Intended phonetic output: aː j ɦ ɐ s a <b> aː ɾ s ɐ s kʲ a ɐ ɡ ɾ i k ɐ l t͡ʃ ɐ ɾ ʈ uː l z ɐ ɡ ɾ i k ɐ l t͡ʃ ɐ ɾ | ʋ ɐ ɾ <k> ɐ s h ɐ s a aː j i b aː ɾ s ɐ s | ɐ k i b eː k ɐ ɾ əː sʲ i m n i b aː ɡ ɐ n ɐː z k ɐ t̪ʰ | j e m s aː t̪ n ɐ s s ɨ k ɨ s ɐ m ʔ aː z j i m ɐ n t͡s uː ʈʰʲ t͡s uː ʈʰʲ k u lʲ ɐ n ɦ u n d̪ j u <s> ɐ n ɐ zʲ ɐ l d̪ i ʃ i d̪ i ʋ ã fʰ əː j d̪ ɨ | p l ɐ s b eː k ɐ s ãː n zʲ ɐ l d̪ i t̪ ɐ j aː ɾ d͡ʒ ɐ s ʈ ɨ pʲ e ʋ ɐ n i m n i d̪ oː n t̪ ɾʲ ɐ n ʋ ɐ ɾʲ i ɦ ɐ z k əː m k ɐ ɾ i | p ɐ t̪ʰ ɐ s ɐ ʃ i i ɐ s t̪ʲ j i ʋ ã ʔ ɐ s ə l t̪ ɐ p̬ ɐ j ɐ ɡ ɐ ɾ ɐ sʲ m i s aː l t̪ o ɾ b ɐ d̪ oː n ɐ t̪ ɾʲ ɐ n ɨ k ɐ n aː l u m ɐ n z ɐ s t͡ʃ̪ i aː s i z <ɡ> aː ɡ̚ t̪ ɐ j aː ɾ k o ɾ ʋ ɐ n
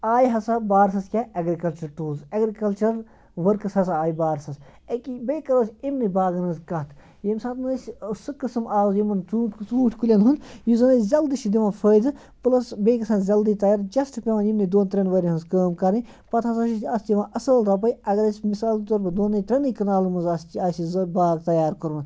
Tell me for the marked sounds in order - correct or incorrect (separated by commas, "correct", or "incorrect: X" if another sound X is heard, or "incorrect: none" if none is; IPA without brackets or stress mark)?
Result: correct, correct, incorrect: z, incorrect: b